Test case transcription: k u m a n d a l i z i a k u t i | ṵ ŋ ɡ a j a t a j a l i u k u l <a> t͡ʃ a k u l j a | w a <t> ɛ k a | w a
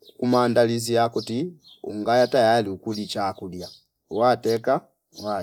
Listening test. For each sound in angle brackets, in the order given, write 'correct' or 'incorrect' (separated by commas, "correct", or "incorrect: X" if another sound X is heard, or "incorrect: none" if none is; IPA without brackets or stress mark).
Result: incorrect: i, correct